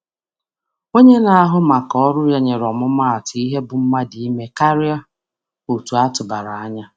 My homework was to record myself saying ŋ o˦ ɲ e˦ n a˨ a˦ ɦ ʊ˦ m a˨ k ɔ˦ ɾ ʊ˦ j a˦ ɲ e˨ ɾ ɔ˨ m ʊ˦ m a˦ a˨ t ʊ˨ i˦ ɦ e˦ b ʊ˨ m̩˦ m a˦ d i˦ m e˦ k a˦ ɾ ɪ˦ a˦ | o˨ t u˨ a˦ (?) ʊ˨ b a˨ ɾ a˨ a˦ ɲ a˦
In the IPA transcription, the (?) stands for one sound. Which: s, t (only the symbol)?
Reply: t